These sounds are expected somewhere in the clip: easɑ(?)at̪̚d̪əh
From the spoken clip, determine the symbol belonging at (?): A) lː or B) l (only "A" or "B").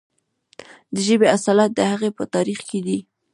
B